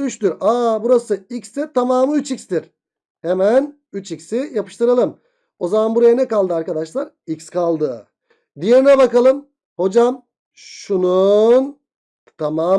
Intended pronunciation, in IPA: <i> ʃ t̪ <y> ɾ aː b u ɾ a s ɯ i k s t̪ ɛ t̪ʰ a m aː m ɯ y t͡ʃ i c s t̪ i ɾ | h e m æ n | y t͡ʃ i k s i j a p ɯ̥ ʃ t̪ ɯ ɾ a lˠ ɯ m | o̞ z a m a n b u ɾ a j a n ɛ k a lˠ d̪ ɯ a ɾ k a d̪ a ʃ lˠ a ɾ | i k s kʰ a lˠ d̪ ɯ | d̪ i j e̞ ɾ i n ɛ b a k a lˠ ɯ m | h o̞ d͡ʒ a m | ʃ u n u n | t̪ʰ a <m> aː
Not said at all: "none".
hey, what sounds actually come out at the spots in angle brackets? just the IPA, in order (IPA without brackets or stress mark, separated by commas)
y, y, m